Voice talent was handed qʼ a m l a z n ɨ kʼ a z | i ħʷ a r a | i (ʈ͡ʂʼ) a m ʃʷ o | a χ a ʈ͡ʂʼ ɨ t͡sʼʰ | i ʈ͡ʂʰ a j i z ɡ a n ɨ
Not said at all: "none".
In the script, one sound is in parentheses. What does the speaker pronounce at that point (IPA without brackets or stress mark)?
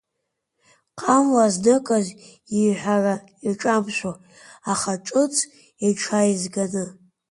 ʈ͡ʂʼ